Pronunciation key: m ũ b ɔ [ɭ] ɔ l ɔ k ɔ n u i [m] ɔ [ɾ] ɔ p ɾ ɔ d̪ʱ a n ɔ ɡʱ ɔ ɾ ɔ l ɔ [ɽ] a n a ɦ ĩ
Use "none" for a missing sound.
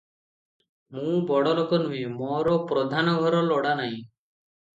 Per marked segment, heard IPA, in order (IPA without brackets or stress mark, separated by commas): ɽ, m, ɾ, ɽ